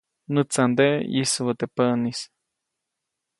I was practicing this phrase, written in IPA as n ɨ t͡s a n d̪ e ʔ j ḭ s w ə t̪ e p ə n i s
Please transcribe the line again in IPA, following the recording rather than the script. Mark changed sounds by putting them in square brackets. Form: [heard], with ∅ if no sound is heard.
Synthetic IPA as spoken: n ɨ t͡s a n d̪ e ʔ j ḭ s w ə t̪ e p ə n i s